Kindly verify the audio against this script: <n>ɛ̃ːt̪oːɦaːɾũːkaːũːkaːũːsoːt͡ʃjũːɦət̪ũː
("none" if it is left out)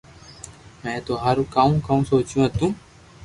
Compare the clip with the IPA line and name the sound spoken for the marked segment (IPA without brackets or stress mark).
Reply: m